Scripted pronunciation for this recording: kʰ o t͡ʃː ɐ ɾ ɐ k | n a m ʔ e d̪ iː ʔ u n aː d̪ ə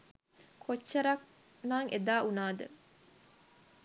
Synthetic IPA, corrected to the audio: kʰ o t͡ʃː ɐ ɾ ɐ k | n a ŋ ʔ e d̪ aː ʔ u n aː d̪ ə